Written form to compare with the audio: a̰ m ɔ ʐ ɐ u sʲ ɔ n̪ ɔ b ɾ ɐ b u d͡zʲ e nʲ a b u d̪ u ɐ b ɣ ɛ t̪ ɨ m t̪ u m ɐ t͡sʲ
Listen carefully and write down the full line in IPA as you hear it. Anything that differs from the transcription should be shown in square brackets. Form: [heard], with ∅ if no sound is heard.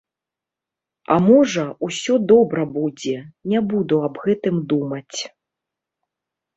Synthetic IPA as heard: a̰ m ɔ ʐ ɐ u sʲ ɔ [d̪] ɔ b ɾ ɐ b u d͡zʲ [ɛ] nʲ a b u d̪ u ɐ b ɣ ɛ t̪ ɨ m [d̪] u m ɐ t͡sʲ